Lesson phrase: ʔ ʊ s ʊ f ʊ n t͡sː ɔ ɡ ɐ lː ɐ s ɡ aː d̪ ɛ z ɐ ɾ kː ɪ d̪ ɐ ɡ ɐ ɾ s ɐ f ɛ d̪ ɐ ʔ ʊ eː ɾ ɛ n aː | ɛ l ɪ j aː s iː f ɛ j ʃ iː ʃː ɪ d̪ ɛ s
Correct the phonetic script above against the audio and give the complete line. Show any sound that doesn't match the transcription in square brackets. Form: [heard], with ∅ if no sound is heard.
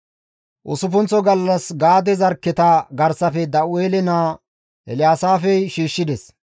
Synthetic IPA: ʔ ʊ s ʊ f ʊ n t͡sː ɔ ɡ ɐ lː ɐ s ɡ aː d̪ ɛ z ɐ ɾ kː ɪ [t̪] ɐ ɡ ɐ ɾ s ɐ f ɛ d̪ ɐ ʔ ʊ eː [l] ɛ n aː | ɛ l ɪ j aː s [aː] f ɛ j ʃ iː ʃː ɪ d̪ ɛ s

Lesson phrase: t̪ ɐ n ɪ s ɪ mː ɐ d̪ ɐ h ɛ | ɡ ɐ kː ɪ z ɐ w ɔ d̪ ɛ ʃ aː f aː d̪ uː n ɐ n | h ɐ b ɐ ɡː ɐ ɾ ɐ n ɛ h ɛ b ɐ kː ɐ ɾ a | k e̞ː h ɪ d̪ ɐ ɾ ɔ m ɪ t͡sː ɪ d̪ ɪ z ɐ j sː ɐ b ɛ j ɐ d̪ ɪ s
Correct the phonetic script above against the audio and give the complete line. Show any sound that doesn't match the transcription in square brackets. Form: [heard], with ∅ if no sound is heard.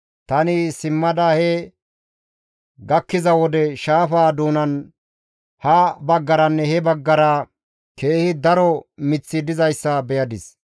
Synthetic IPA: t̪ ɐ n ɪ s ɪ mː ɐ d̪ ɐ h ɛ | ɡ ɐ kː ɪ z ɐ w ɔ d̪ ɛ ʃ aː f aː d̪ uː n ɐ n | h ɐ b ɐ ɡː ɐ ɾ ɐ [nː] ɛ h ɛ b ɐ [ɡː] ɐ ɾ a | k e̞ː h ɪ d̪ ɐ ɾ ɔ m ɪ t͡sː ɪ d̪ ɪ z ɐ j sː ɐ b ɛ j ɐ d̪ ɪ s

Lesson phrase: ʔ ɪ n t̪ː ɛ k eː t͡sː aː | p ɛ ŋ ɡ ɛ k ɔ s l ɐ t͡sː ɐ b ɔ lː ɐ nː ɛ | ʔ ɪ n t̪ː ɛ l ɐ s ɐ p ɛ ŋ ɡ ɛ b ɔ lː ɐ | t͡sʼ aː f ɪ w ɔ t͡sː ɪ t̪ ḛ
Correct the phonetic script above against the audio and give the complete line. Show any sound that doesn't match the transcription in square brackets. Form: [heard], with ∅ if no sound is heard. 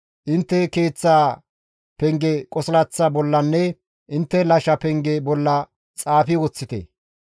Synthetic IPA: ʔ ɪ n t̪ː ɛ k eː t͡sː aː | p ɛ ŋ ɡ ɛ [kʼ] ɔ s l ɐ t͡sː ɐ b ɔ lː ɐ nː ɛ | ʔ ɪ n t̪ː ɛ l ɐ [ʃ] ɐ p ɛ ŋ ɡ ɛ b ɔ lː ɐ | t͡sʼ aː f ɪ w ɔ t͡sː ɪ t̪ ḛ

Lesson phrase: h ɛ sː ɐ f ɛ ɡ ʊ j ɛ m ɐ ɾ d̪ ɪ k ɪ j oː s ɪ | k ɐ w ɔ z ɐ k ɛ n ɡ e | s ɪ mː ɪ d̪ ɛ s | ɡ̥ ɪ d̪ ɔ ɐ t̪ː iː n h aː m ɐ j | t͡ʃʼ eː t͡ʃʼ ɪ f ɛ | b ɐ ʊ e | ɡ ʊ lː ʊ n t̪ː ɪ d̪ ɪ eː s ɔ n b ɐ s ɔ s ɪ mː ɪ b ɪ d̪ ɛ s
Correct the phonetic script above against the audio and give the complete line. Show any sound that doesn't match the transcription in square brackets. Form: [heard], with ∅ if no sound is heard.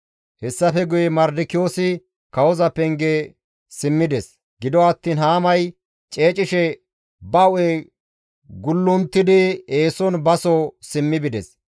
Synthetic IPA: h ɛ sː ɐ f ɛ ɡ ʊ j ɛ m ɐ ɾ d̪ ɪ k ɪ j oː s ɪ | k ɐ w ɔ z ɐ [p] ɛ [ŋ] ɡ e | s ɪ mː ɪ d̪ ɛ s | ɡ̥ ɪ d̪ ɔ ɐ t̪ː iː n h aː m ɐ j | t͡ʃʼ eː t͡ʃʼ ɪ [ʃ] ɛ | b ɐ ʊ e | ɡ ʊ lː ʊ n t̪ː ɪ d̪ ɪ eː s ɔ n b ɐ s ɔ s ɪ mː ɪ b ɪ d̪ ɛ s

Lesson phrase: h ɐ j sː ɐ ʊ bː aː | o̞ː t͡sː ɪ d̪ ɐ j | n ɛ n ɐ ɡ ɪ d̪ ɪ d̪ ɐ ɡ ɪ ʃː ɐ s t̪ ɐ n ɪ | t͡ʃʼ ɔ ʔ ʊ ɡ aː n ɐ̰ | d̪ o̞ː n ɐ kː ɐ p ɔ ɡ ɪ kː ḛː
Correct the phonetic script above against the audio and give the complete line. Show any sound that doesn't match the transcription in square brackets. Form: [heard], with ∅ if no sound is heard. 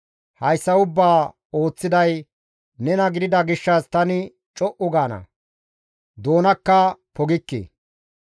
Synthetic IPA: h ɐ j sː ɐ ʊ bː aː | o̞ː t͡sː ɪ d̪ ɐ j | n ɛ n ɐ ɡ ɪ d̪ ɪ d̪ ɐ ɡ ɪ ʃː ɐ s t̪ ɐ n ɪ | t͡ʃʼ ɔ ʔ ʊ ɡ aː n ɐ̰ | d̪ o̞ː n ɐ kː ɐ p ɔ ɡ ɪ kː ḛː

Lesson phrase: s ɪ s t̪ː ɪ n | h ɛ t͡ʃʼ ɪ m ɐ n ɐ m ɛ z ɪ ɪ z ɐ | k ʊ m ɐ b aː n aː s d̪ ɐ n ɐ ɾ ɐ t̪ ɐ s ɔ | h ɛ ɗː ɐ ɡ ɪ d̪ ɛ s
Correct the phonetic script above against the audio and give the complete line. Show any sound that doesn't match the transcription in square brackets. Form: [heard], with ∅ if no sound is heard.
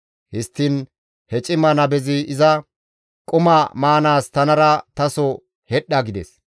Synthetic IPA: [h] ɪ s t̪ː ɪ n | h ɛ t͡ʃʼ ɪ m ɐ n ɐ [b] ɛ z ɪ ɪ z ɐ | [kʼ] ʊ m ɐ [m] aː n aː s [t̪] ɐ n ɐ ɾ ɐ t̪ ɐ s ɔ | h ɛ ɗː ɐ ɡ ɪ d̪ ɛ s

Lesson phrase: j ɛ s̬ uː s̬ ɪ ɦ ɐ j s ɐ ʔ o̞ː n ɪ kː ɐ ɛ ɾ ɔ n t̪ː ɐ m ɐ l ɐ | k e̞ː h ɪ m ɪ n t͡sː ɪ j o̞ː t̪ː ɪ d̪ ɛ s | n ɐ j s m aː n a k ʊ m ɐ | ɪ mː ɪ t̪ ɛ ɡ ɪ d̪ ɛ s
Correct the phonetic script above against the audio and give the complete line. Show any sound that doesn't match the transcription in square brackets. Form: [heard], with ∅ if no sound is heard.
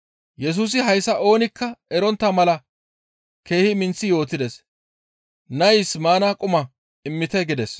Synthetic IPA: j ɛ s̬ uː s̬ ɪ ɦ ɐ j s ɐ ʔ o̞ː n ɪ kː ɐ ɛ ɾ ɔ n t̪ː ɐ m ɐ l ɐ | k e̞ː h ɪ m ɪ n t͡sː ɪ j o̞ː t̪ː ɪ d̪ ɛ s | n ɐ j s m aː n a [kʼ] ʊ m ɐ | ɪ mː ɪ t̪ ɛ ɡ ɪ d̪ ɛ s

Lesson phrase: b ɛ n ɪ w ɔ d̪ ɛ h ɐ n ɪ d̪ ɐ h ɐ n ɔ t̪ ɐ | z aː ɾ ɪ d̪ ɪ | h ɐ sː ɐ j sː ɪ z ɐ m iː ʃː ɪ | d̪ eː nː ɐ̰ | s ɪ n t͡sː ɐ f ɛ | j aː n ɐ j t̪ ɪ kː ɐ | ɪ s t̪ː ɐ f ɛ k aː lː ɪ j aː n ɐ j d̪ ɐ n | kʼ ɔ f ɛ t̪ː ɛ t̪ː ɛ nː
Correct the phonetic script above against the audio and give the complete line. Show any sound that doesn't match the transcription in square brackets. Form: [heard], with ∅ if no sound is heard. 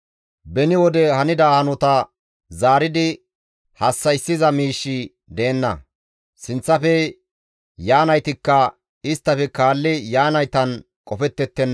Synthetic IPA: b ɛ n ɪ w ɔ d̪ ɛ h ɐ n ɪ d̪ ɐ h ɐ n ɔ t̪ ɐ | z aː ɾ ɪ d̪ ɪ | h ɐ sː ɐ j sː ɪ z ɐ m iː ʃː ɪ | d̪ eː nː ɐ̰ | s ɪ n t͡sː ɐ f ɛ | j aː n ɐ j t̪ ɪ kː ɐ | ɪ s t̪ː ɐ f ɛ k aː lː ɪ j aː n ɐ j [t̪] ɐ n | kʼ ɔ f ɛ t̪ː ɛ t̪ː ɛ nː

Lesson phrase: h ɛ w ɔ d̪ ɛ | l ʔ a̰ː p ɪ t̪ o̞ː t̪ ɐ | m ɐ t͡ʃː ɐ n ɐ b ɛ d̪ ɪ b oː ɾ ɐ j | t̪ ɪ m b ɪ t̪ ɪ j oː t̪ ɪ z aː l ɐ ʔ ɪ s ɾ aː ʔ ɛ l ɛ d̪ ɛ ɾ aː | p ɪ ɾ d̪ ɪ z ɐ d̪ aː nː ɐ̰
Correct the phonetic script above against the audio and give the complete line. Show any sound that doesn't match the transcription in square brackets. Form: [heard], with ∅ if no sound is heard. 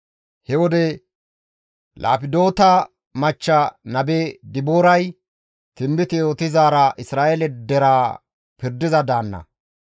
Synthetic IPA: h ɛ w ɔ d̪ ɛ | l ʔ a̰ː p ɪ [d̪] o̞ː t̪ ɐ | m ɐ t͡ʃː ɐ n ɐ b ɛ d̪ ɪ b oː ɾ ɐ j | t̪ ɪ m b ɪ t̪ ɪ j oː t̪ ɪ z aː [ɾ] ɐ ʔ ɪ s ɾ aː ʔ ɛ l ɛ d̪ ɛ ɾ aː | p ɪ ɾ d̪ ɪ z ɐ d̪ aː nː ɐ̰

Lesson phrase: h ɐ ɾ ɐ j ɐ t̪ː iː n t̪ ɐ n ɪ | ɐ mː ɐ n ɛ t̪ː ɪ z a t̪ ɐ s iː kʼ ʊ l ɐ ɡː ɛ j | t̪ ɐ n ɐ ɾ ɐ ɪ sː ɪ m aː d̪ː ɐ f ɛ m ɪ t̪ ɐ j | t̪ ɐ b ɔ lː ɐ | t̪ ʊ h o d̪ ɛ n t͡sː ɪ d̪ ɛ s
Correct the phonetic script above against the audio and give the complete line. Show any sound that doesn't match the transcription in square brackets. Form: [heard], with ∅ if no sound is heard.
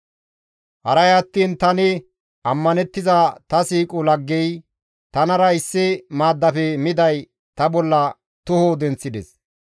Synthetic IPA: h ɐ ɾ ɐ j ɐ t̪ː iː n t̪ ɐ n ɪ | ɐ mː ɐ n ɛ t̪ː ɪ z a t̪ ɐ s iː kʼ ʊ l ɐ ɡː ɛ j | t̪ ɐ n ɐ ɾ ɐ ɪ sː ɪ m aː d̪ː ɐ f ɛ m ɪ [d̪] ɐ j | t̪ ɐ b ɔ lː ɐ | t̪ ʊ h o d̪ ɛ n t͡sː ɪ d̪ ɛ s

